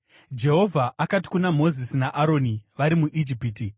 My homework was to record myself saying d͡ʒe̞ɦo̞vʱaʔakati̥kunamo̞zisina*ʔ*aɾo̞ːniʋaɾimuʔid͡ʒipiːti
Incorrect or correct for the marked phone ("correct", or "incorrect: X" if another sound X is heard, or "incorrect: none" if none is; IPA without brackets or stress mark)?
correct